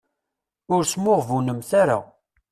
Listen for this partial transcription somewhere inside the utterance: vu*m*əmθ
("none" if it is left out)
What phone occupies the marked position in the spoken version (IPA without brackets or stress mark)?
n